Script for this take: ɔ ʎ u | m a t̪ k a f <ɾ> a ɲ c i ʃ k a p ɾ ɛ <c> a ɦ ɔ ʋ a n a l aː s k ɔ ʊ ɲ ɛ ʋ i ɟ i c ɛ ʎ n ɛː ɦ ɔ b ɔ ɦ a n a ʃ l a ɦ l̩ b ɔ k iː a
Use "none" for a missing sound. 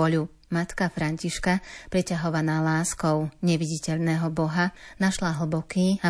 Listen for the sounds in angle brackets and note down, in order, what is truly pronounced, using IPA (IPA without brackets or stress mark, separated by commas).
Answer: ɾ, c